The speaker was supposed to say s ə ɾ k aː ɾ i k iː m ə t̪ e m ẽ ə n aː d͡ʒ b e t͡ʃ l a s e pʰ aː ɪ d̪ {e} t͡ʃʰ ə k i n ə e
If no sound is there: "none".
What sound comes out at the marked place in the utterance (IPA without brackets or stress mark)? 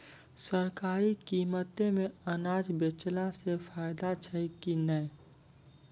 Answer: a